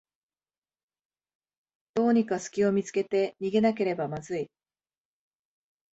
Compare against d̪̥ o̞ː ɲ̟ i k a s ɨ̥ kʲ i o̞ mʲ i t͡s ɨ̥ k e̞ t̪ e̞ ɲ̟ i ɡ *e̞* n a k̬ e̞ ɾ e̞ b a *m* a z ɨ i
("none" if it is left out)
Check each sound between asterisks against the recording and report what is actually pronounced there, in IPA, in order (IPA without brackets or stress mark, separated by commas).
e̞, m